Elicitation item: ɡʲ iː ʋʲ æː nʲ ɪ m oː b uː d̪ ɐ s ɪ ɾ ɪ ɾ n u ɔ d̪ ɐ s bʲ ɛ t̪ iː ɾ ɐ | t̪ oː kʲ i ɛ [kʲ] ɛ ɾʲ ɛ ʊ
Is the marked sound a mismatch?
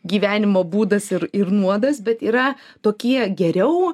yes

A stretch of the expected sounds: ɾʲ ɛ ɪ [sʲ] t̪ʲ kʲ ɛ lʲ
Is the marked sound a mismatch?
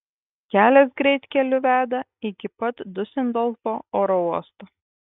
yes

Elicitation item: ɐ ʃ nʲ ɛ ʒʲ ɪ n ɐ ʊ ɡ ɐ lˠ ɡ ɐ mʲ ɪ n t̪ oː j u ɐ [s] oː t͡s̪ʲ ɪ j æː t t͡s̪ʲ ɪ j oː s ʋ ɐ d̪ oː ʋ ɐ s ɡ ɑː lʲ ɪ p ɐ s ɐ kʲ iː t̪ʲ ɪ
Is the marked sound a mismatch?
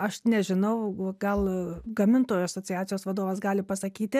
no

